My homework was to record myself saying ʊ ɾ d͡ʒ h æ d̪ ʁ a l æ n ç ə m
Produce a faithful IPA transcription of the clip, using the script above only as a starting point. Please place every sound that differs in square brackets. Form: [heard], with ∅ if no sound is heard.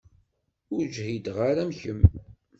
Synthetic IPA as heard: ʊ ɾ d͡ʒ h [i] d̪ ʁ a [ɾ] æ [m] ç ə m

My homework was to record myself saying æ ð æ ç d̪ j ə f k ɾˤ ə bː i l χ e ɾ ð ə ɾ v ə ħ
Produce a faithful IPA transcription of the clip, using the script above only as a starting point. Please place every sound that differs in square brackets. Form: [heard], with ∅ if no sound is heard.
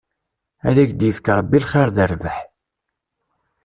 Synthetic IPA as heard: æ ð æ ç d̪ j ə f k ɾˤ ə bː i l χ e ɾ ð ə ɾ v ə ħ

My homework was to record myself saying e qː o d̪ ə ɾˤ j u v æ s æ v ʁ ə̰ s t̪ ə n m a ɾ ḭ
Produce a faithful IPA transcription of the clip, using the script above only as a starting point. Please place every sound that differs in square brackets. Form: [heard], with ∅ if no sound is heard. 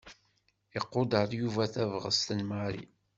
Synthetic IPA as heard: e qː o d̪ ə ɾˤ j u v æ [θ] æ v ʁ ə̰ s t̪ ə n m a ɾ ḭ

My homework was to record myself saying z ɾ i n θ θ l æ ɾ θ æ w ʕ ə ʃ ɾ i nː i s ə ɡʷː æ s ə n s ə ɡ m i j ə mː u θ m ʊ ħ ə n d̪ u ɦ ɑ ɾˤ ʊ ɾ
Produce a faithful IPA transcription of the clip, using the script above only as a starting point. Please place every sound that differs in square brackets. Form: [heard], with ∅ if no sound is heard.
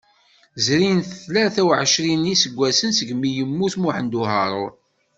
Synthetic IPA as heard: z ɾ i n θ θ l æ ɾ θ æ w ʕ ə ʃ ɾ i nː i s ə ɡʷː æ s ə n s ə ɡ m i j ə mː u θ m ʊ ħ ə n d̪ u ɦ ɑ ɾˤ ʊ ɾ

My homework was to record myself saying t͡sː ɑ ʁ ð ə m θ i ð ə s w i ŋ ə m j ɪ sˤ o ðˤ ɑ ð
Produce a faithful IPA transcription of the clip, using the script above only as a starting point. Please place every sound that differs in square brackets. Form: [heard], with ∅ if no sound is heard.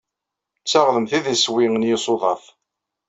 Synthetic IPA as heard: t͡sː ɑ ʁ ð ə m θ i ð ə s w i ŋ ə [n] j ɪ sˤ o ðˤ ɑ [θ]

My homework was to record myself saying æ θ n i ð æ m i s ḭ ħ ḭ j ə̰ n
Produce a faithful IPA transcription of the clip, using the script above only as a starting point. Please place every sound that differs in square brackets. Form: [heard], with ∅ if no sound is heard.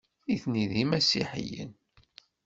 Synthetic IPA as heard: [i] θ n i ð [i] m [æ] s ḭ ħ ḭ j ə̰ n

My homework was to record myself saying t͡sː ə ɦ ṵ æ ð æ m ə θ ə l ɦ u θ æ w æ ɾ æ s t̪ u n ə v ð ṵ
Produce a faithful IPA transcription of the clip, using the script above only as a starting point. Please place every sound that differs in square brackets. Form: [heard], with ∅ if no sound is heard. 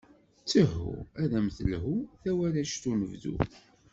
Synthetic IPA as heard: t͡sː ə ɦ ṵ æ ð æ m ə θ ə l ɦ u θ æ w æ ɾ æ [ʃ] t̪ u n ə v ð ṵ

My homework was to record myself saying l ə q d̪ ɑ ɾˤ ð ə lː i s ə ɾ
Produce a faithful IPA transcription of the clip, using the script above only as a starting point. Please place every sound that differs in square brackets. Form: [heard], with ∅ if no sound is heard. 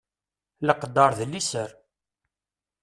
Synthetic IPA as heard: l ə q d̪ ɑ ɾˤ ð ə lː i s ə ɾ

